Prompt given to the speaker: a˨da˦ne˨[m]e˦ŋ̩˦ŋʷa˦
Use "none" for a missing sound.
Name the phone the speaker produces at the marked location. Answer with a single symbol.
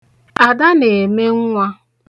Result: m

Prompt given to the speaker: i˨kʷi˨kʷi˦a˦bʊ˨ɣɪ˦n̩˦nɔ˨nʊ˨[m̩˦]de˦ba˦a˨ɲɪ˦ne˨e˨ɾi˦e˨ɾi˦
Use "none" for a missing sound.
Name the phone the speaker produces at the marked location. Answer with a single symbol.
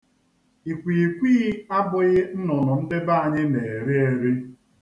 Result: n̩˦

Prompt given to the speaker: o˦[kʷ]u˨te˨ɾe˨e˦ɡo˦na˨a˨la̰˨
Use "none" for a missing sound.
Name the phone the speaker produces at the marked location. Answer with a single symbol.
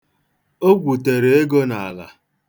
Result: ɡʷ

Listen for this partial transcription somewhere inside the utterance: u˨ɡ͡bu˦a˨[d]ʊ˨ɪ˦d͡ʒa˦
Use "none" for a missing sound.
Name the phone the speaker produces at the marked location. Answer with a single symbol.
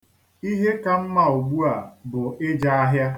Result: b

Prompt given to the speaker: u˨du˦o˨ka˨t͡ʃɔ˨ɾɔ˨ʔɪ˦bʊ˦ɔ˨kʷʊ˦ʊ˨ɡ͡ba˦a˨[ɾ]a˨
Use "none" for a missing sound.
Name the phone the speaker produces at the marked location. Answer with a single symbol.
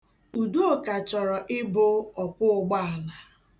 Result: l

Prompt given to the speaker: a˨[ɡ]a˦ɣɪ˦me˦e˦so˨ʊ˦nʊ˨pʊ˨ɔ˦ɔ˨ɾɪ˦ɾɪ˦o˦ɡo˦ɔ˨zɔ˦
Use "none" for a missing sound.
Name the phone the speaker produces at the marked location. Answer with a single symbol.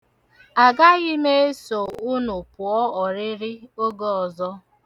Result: ɡ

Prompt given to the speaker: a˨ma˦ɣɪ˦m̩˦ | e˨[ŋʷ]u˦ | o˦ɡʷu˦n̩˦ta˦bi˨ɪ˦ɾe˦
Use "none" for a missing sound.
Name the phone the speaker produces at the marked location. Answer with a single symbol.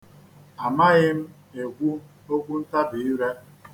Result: ɡʷ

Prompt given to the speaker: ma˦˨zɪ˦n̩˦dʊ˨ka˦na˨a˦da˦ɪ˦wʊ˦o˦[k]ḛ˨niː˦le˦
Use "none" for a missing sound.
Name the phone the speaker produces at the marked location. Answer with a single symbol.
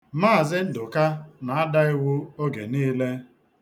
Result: ɡ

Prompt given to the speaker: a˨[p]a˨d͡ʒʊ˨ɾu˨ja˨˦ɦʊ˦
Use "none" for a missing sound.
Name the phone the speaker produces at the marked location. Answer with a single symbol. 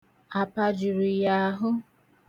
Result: p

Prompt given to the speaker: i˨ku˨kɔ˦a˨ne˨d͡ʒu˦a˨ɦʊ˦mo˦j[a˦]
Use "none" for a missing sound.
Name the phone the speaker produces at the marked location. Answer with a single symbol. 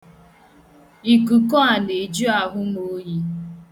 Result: i˦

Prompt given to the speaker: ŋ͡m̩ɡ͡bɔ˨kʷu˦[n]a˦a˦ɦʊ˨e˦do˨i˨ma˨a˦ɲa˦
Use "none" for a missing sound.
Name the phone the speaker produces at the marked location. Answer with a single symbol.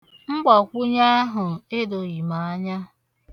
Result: ɲ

